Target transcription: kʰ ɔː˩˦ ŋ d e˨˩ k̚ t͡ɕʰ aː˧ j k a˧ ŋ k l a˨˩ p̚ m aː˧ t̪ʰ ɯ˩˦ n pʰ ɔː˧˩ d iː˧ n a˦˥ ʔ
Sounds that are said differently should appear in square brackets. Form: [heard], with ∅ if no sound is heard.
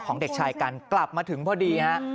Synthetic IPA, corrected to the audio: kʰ ɔː˩˦ ŋ d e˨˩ k̚ t͡ɕʰ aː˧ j k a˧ [n] k l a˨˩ p̚ m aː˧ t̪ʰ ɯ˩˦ [ŋ] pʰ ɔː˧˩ d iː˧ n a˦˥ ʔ